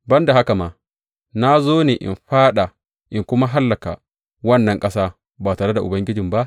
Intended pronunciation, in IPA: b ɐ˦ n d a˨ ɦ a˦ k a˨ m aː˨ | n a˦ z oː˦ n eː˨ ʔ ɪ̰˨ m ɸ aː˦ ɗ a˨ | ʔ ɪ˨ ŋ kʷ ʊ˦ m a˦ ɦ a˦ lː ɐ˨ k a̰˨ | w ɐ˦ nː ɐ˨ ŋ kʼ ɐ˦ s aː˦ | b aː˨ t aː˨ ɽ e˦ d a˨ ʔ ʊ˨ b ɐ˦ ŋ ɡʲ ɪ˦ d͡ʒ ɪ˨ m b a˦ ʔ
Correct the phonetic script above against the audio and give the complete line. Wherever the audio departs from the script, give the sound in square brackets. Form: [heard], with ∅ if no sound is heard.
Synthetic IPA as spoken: b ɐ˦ n d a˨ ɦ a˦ k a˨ m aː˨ | n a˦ z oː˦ n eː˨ ʔ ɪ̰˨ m ɸ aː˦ ɗ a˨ | ʔ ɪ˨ ŋ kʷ ʊ˦ m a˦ ɦ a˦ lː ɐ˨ k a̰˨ | w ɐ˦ nː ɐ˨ ŋ kʼ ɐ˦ s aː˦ | b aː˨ t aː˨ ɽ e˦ d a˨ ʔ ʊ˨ b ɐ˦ ŋ ɡʲ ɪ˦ d͡ʒ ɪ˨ m b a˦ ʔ